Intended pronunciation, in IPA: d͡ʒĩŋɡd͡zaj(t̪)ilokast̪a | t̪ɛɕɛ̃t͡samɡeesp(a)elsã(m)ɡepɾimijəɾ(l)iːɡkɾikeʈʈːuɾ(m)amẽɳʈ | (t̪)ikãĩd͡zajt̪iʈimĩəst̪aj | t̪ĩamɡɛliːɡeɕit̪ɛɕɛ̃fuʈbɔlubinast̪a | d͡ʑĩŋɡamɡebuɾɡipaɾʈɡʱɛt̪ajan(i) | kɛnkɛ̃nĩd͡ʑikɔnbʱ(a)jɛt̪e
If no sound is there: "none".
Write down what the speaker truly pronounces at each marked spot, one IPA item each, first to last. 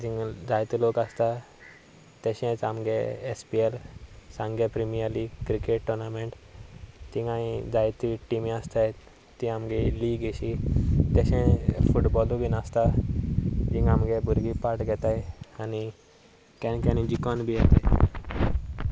t̪, i, ŋ, l, n, t̪, i, i

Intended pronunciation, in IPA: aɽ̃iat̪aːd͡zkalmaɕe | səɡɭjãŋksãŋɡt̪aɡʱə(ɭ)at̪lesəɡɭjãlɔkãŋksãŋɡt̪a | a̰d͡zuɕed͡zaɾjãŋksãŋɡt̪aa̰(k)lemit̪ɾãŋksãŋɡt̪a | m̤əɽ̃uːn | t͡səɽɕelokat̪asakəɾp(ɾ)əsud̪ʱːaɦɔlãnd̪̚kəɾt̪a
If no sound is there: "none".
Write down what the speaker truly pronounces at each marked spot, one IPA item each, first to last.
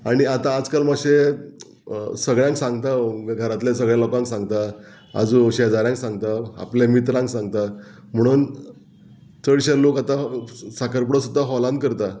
ɾ, p, ɽ

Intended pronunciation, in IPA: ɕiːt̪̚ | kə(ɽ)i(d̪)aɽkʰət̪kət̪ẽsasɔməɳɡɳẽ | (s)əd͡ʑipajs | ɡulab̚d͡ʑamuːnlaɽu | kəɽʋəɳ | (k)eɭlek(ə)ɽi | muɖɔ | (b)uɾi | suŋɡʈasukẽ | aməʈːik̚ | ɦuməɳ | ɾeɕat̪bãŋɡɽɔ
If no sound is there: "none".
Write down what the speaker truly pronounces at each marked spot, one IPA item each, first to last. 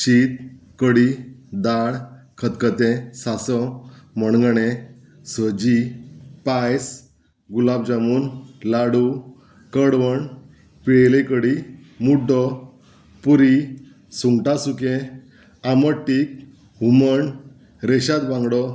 ɽ, d̪, s, p, ə, p

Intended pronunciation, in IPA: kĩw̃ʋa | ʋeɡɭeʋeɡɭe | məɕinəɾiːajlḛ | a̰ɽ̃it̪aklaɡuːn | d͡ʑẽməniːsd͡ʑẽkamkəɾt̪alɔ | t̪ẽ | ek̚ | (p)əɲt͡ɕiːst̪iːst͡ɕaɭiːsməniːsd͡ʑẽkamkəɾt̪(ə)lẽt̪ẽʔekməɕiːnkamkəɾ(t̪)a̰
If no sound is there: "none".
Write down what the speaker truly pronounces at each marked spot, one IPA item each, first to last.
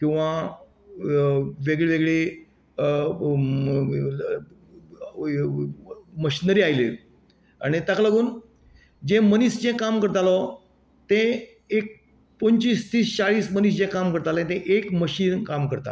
p, a, t̪

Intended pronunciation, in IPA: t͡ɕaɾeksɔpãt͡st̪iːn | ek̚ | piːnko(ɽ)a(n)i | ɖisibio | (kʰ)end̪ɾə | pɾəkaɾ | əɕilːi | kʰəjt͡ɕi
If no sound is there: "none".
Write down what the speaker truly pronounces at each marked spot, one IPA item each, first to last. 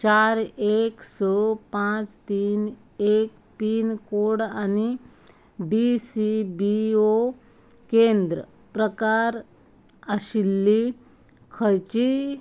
ɽ, n, k

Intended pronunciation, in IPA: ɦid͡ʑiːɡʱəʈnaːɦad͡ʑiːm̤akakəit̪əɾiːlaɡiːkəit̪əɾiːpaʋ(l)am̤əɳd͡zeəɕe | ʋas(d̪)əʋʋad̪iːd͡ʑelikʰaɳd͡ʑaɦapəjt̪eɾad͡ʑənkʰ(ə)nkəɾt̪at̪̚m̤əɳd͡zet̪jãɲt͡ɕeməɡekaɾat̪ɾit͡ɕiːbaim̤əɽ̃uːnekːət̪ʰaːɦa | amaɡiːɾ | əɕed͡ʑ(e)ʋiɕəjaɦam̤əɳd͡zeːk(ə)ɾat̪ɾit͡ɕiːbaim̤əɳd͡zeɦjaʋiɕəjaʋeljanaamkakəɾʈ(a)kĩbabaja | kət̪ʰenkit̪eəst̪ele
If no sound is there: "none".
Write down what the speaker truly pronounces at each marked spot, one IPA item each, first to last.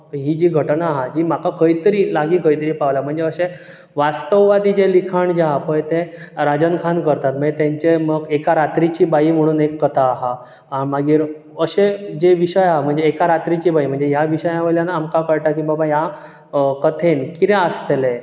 l, t̪, a, e, a, a

